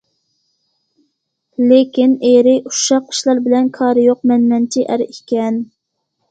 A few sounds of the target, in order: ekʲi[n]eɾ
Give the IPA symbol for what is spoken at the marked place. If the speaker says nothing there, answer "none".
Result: n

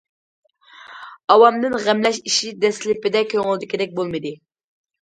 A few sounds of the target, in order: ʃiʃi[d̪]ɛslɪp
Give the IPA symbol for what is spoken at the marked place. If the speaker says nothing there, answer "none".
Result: d̪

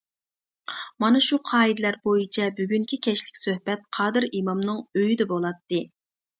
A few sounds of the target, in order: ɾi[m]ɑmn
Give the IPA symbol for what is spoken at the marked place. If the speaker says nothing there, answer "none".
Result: m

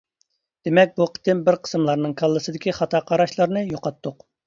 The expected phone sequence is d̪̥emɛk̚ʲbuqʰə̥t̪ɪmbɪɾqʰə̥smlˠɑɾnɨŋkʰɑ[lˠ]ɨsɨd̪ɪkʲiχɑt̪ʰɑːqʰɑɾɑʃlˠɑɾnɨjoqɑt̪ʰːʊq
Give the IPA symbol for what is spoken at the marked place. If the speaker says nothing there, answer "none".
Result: lˠː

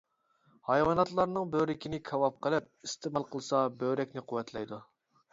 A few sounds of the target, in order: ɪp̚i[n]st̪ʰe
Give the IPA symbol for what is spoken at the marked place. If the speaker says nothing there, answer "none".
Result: none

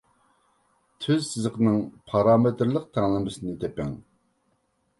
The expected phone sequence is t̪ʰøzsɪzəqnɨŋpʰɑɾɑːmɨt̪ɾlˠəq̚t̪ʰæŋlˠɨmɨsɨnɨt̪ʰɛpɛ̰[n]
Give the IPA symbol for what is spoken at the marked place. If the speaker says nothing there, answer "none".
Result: ŋ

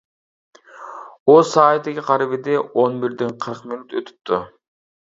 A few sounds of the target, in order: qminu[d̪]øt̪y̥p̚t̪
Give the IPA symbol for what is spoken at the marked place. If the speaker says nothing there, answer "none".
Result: t̪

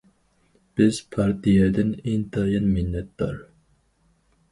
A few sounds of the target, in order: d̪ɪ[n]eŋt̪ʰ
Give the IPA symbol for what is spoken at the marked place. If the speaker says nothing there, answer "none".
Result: n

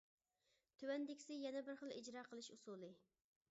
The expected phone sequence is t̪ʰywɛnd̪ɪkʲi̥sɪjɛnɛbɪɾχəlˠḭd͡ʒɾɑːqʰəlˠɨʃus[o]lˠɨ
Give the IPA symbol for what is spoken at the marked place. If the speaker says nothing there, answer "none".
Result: u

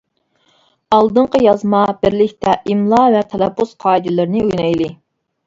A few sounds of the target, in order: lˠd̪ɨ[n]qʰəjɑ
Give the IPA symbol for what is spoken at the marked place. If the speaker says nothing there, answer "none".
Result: ɴ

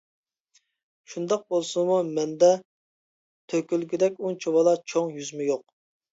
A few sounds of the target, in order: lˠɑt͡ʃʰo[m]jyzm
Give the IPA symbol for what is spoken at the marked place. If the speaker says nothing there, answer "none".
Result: ŋ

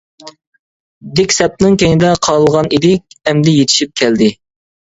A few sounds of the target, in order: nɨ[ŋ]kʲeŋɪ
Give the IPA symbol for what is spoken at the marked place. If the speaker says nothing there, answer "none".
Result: ŋ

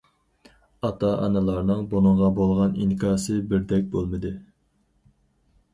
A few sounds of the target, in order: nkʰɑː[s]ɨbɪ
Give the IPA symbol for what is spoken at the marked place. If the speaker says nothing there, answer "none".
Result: s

